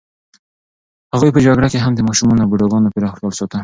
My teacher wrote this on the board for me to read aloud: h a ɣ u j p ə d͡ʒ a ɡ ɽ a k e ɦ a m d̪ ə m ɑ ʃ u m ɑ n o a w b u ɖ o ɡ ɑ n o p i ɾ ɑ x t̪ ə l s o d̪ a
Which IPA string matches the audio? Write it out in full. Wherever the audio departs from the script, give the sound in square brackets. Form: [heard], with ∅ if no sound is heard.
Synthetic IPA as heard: h a ɣ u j p ə d͡ʒ a ɡ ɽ a k e ɦ a m d̪ ə m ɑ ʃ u m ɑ n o a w b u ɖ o ɡ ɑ n o p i ɾ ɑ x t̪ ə l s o [t̪] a